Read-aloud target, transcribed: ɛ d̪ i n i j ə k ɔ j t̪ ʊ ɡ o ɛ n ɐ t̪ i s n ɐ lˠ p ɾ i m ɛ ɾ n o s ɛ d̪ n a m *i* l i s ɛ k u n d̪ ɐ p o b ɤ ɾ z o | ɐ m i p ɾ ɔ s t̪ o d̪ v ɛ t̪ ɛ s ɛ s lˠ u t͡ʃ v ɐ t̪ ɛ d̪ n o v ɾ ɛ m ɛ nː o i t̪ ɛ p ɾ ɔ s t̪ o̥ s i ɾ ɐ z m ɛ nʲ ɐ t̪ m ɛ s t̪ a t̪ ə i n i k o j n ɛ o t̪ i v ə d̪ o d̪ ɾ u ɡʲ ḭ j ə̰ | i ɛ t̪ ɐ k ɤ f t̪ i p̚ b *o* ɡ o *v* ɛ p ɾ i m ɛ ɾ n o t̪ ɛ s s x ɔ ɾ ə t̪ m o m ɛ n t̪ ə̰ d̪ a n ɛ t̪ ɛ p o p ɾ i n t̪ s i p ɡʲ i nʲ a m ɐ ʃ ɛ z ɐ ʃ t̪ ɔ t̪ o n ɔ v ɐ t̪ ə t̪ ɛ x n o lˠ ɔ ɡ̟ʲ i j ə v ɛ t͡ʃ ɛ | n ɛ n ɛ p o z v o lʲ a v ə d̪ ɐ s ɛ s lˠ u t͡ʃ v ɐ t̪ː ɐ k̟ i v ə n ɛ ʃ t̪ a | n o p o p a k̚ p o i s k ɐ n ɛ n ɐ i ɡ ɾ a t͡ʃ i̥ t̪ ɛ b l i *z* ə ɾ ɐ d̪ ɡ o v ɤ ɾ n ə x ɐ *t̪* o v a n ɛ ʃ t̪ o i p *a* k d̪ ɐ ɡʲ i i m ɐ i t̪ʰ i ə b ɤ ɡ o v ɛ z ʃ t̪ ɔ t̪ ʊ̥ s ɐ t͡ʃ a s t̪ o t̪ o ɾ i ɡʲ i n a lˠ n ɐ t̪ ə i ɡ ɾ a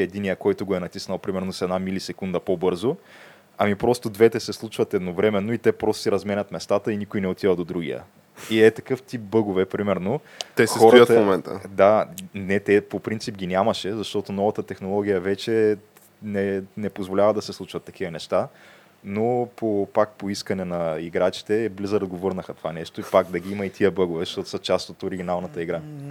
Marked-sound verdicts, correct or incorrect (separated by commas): correct, incorrect, correct, correct, correct, correct